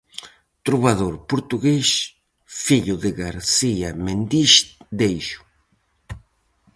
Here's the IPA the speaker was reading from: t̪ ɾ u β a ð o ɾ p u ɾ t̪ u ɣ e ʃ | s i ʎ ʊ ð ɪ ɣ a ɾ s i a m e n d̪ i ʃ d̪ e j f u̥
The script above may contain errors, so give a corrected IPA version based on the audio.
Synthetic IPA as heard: t̪ ɾ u β a ð o ɾ p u ɾ t̪ u ɣ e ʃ | f i ʎ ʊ ð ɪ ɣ a ɾ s i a m e n d̪ i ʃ d̪ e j ʃ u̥